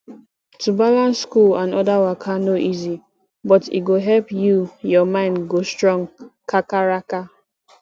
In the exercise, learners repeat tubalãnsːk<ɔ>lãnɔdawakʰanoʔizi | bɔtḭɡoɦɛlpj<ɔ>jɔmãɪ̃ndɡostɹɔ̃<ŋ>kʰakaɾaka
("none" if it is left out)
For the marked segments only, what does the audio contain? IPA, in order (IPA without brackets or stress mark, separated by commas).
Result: u, u, ŋ